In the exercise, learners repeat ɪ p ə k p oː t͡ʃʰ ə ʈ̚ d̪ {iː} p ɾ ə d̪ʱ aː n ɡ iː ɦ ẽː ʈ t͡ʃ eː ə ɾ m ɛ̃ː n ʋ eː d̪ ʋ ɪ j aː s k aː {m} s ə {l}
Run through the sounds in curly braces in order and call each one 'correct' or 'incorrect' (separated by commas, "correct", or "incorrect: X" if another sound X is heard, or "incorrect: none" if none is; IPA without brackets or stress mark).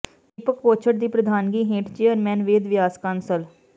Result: correct, incorrect: n, correct